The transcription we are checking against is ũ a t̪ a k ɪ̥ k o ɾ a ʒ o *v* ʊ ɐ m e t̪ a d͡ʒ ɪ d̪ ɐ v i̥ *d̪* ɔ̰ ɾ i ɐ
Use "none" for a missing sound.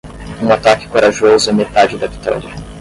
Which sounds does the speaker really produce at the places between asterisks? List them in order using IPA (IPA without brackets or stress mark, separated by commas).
z, t̪